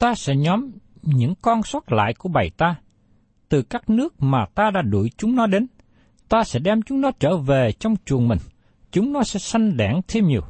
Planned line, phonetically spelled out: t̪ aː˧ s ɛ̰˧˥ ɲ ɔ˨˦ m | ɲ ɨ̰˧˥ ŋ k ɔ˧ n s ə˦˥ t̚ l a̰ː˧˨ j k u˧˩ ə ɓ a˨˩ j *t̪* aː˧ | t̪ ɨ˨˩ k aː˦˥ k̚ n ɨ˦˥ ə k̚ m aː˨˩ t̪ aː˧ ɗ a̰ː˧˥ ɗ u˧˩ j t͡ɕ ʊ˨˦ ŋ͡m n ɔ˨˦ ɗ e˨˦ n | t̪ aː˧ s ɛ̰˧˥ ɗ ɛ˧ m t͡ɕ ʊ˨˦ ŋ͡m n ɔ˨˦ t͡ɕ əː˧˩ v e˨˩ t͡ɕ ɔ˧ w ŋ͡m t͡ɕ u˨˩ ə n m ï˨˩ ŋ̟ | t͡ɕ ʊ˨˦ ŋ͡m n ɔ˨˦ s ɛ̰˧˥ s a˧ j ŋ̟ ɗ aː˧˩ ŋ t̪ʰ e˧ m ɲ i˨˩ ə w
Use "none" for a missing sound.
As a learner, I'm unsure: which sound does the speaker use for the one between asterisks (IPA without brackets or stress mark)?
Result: t̪